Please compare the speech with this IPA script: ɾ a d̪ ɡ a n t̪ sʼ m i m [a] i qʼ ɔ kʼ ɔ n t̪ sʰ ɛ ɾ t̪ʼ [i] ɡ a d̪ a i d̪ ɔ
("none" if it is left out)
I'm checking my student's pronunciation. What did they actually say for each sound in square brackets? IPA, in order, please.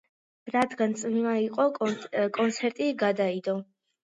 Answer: a, i

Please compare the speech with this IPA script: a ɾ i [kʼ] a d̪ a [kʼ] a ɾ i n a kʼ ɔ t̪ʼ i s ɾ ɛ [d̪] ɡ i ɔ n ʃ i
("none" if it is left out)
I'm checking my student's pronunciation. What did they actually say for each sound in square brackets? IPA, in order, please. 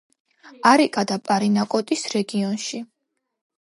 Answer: kʼ, pʼ, none

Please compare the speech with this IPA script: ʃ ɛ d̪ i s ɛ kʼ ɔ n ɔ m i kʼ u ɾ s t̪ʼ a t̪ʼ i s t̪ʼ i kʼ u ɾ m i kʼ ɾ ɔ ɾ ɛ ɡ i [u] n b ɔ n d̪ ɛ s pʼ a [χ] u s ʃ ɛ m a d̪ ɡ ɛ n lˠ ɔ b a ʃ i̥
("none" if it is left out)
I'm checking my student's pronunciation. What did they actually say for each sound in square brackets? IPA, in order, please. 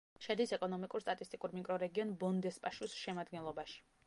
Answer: ɔ, ʃ

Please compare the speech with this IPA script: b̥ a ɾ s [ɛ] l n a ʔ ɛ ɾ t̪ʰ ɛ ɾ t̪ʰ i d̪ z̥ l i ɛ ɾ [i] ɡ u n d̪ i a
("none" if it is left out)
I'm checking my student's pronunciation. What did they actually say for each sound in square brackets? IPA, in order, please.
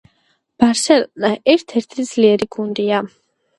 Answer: ɛ, i

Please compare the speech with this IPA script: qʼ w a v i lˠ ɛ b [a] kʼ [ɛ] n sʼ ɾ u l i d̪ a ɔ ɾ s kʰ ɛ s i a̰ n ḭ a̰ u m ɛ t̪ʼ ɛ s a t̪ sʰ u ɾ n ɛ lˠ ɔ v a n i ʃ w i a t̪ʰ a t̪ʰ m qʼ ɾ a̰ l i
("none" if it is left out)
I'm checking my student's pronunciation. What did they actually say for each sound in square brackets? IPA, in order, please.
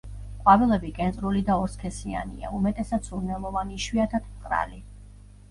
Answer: i, ɛ

